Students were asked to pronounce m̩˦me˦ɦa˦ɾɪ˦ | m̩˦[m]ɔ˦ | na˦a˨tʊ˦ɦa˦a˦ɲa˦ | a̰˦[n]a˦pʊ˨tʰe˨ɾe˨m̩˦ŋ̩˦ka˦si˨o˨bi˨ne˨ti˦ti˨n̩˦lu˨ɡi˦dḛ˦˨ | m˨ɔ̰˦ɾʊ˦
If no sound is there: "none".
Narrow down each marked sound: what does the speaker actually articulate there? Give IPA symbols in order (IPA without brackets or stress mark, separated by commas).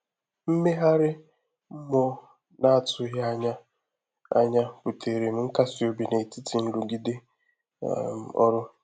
m, ɲ